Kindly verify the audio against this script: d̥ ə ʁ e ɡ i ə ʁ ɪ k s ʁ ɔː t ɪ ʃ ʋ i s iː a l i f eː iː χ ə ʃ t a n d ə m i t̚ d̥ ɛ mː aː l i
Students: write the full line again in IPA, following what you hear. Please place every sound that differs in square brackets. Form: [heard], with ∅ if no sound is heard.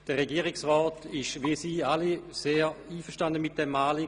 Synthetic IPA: d̥ ə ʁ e ɡ i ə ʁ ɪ k s ʁ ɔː t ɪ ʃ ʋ i s iː a l i [s] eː iː [f] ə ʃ t a n d ə m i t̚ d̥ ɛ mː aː l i